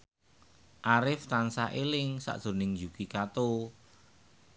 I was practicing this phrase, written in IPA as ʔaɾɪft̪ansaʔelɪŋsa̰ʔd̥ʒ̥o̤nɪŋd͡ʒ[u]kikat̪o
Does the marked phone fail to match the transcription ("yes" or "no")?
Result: no